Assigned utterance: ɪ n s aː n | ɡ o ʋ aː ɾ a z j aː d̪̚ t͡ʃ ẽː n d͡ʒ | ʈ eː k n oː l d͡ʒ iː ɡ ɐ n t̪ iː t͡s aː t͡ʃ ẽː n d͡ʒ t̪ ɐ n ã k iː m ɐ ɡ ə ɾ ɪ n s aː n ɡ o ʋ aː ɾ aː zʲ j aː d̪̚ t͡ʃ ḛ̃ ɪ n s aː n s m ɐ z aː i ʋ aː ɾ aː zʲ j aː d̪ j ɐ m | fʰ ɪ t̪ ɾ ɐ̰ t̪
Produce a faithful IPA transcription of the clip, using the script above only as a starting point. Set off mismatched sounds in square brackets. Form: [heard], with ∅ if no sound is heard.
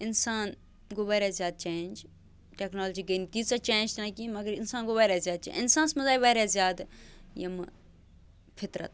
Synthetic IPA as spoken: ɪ n s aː n | ɡ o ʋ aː ɾ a z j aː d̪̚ t͡ʃ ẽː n d͡ʒ | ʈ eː k n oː l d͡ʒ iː ɡ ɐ n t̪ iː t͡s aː t͡ʃ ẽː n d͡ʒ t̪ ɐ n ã k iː m ɐ ɡ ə ɾ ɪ n s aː n ɡ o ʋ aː ɾ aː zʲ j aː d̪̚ t͡ʃ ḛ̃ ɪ n s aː n s m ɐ z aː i ʋ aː ɾ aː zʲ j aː d̪ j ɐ m | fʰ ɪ t̪ ɾ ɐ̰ t̪